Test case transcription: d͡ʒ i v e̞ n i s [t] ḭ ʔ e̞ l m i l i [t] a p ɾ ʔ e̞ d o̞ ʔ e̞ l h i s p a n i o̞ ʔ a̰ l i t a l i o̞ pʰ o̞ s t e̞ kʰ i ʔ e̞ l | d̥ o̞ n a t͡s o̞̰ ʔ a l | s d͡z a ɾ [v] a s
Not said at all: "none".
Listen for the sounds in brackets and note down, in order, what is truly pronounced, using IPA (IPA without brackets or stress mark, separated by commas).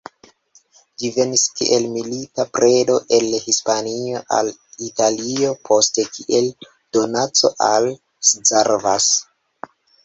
k, t, v